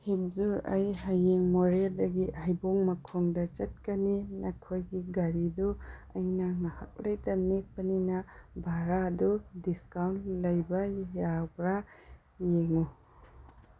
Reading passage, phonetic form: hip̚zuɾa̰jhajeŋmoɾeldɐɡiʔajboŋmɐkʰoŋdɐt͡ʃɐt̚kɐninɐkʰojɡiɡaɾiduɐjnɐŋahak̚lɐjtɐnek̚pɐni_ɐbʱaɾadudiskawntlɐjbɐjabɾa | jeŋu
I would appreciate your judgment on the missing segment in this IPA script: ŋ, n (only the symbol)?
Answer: n